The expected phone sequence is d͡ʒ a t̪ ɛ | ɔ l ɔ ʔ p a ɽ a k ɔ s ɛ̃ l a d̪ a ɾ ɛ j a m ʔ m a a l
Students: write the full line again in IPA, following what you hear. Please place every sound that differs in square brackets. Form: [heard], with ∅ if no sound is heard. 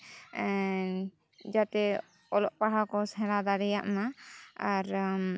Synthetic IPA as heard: d͡ʒ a t̪ ɛ | ɔ l ɔ ʔ p a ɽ a k ɔ s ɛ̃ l a d̪ a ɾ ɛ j a [∅] ʔ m a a [ɾ]